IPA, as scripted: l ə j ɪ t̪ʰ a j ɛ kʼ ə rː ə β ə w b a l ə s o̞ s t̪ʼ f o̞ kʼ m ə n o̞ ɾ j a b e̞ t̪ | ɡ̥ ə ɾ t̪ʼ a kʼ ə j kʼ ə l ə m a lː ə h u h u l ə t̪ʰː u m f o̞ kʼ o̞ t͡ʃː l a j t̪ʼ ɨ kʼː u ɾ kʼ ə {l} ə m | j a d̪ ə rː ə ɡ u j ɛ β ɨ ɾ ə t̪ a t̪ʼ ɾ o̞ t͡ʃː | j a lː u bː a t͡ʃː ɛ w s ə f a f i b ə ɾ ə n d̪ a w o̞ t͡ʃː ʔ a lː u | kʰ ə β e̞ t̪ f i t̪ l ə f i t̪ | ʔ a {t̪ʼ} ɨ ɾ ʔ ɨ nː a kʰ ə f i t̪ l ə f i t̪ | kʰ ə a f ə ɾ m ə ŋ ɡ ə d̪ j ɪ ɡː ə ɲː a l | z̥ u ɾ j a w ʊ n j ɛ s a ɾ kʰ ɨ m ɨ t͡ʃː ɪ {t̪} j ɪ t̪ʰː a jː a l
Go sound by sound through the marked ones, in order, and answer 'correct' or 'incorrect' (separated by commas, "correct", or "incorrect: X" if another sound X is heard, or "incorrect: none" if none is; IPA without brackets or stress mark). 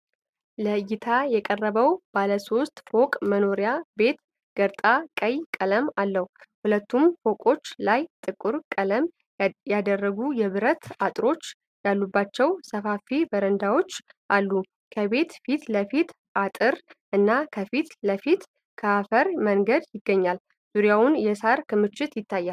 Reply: correct, correct, correct